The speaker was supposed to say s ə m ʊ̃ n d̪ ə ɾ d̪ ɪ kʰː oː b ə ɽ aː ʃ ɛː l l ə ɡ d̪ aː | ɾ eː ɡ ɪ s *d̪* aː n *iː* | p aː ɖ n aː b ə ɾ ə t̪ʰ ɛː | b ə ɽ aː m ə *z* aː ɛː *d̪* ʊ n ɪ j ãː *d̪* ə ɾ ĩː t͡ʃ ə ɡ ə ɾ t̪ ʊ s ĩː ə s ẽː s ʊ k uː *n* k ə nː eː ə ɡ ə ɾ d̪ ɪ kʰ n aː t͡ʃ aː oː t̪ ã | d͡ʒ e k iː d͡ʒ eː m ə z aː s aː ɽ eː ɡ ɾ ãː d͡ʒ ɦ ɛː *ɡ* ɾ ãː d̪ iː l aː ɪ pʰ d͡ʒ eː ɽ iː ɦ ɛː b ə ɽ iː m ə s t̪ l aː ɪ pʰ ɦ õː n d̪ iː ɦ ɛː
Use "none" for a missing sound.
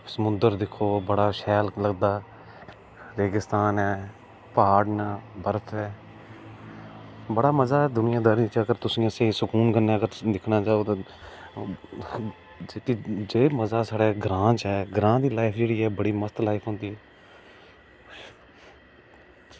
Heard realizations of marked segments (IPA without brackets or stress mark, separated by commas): t̪, ɛː, z, d̪, d̪, n, ɡ